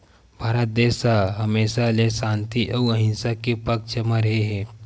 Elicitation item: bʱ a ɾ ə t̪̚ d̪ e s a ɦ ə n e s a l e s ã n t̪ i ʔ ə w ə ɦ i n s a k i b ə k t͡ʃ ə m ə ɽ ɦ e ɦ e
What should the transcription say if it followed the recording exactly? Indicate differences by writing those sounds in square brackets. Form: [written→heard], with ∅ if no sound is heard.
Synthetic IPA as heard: bʱ a ɾ ə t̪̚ d̪ e s a ɦ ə [n→m] e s a l e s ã n t̪ i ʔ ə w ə ɦ i n s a k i [b→p] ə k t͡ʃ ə m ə [ɽ→ɾ] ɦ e ɦ e